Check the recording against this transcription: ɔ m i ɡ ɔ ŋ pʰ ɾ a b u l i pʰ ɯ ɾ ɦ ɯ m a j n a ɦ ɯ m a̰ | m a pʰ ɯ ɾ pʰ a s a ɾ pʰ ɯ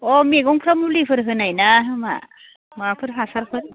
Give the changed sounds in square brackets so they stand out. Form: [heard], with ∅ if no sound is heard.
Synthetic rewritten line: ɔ m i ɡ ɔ ŋ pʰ ɾ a [m] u l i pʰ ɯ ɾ ɦ ɯ [n] a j n a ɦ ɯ m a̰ | m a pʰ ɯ ɾ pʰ a s a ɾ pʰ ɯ